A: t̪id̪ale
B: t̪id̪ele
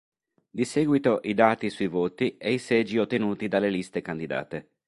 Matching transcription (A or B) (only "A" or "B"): A